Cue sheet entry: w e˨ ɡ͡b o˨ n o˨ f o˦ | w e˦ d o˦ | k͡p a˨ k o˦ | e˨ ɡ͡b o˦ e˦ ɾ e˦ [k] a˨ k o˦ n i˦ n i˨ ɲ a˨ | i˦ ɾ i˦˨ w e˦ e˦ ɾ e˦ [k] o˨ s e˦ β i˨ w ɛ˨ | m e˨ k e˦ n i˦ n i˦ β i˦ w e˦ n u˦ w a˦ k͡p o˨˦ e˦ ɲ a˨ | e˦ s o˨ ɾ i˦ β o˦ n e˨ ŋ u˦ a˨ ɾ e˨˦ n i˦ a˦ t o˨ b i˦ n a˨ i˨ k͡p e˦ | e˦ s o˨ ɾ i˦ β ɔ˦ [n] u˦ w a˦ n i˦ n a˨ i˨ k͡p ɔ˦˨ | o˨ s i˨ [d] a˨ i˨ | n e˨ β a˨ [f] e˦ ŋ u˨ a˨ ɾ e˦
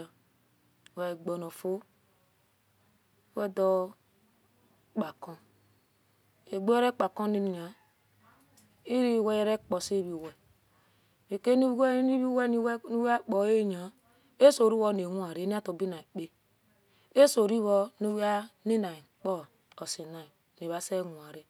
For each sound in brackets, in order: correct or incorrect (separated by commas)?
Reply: incorrect, incorrect, correct, incorrect, incorrect